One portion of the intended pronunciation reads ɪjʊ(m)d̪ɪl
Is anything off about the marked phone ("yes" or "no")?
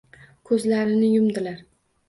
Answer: no